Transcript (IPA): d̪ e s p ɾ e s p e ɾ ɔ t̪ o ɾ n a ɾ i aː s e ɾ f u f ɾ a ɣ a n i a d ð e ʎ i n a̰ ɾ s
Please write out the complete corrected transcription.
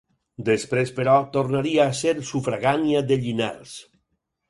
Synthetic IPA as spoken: d̪ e s p ɾ e s p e ɾ ɔ t̪ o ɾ n a ɾ i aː s e ɾ s u f ɾ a ɣ a n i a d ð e ʎ i n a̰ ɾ s